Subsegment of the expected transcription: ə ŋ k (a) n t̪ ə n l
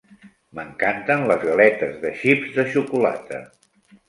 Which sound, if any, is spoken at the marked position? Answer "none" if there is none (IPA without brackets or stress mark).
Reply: a